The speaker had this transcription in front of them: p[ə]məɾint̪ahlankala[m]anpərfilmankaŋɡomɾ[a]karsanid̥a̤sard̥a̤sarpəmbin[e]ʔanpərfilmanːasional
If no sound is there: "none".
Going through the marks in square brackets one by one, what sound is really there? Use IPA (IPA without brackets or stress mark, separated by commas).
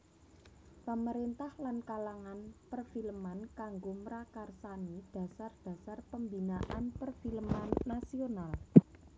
ə, ŋ, a, a